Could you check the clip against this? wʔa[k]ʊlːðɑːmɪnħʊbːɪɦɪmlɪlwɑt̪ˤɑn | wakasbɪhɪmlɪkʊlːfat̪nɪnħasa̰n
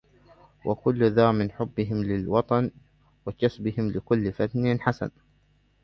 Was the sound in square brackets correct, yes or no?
yes